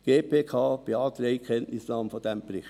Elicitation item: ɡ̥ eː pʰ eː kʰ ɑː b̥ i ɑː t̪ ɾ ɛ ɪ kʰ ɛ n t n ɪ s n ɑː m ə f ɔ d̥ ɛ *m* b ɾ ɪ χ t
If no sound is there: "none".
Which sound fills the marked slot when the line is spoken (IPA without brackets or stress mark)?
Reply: m